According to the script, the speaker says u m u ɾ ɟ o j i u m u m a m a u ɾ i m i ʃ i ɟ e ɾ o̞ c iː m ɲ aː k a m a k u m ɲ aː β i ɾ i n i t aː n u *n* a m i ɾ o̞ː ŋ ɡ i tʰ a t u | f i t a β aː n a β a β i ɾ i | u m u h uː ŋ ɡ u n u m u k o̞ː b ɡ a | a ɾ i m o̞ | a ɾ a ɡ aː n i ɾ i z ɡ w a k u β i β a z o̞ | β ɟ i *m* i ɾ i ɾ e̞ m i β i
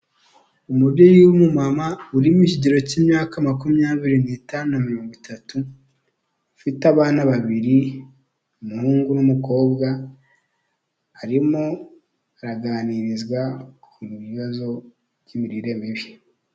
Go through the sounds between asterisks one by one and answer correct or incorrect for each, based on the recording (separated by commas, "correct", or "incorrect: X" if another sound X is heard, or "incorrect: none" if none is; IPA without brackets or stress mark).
correct, correct